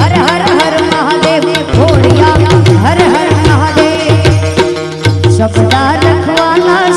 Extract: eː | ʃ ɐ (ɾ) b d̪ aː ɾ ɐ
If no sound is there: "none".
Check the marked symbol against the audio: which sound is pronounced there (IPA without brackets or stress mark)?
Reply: none